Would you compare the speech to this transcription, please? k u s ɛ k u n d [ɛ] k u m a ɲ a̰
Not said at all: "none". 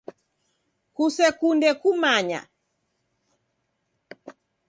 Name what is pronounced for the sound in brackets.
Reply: ɛ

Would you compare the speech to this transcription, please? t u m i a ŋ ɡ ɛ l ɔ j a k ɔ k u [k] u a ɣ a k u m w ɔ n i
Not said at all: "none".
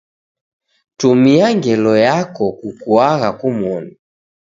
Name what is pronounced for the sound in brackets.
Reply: k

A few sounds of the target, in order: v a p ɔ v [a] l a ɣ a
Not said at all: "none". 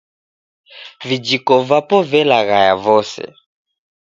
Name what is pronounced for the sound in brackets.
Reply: ɛ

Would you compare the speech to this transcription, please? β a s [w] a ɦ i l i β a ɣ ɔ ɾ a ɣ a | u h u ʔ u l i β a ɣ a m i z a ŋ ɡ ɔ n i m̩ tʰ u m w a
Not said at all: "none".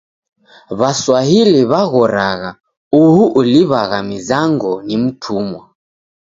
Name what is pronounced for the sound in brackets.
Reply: w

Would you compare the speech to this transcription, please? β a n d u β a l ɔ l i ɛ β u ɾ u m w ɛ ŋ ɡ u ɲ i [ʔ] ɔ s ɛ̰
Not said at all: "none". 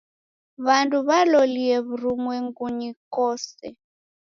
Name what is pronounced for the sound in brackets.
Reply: k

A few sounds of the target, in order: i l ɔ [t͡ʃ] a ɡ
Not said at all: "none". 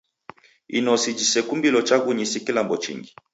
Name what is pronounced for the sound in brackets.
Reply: t͡ʃ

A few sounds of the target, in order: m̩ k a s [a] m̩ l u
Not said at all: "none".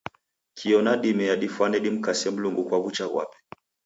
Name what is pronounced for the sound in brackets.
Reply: ɛ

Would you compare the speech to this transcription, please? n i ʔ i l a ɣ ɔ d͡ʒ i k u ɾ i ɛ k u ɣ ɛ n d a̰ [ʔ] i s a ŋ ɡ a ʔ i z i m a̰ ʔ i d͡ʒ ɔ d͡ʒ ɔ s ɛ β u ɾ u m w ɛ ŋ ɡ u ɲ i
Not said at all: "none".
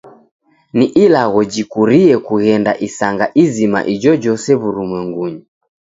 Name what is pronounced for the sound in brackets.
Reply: ʔ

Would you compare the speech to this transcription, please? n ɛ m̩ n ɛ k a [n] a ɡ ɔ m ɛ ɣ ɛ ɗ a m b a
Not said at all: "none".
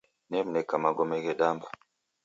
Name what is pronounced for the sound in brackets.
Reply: m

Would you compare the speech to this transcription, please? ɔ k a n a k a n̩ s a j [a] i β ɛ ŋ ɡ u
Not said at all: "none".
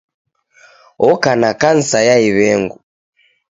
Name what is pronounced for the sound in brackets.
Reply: a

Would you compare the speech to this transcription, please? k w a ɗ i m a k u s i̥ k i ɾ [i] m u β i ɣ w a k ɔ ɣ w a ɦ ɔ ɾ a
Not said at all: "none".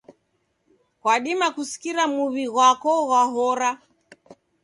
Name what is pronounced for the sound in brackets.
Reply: a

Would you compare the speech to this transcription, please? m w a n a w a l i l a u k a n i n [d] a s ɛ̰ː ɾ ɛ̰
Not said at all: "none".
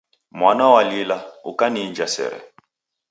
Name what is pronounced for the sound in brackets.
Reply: d͡ʒ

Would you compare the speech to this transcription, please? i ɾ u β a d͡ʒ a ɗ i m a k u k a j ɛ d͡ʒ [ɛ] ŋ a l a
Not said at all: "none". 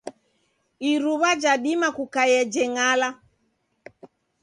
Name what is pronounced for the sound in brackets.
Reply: ɛ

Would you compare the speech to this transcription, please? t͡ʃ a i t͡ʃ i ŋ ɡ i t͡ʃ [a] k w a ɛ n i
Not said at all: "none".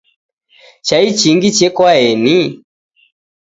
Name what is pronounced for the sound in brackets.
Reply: ɛ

